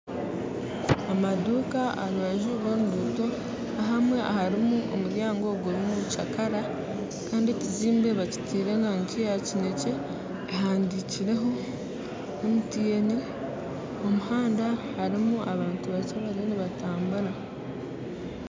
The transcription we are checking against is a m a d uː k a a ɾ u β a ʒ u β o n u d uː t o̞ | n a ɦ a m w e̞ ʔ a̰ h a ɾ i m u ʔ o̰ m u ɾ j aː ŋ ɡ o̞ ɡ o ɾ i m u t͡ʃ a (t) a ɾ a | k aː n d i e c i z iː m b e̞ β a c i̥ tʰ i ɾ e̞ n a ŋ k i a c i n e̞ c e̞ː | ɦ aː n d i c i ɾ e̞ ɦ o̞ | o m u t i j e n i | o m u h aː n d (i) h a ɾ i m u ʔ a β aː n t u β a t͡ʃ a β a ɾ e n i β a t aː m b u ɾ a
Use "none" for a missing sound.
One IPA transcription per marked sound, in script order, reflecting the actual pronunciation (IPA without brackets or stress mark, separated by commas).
k, a